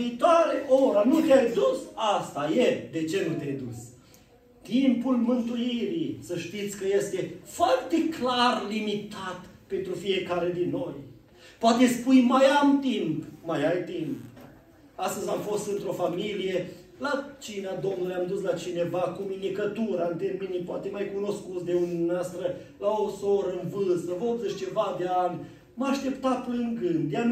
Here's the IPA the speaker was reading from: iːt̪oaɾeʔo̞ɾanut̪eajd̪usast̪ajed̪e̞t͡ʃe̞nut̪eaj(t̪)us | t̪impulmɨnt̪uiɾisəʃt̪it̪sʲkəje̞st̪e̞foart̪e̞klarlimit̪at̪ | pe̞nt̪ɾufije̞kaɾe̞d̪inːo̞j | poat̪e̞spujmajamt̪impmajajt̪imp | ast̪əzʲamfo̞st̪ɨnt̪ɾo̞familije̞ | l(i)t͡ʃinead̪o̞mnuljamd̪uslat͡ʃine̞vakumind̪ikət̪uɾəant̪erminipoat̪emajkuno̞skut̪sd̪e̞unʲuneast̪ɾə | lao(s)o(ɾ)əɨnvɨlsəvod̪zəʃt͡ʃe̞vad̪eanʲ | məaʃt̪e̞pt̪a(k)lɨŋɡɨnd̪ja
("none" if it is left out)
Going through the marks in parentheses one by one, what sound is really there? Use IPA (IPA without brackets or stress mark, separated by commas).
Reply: d̪, a, s, ɾ, p